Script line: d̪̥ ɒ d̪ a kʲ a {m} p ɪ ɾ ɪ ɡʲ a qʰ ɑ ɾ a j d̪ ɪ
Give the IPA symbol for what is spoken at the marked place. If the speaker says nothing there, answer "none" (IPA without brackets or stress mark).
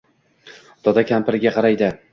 m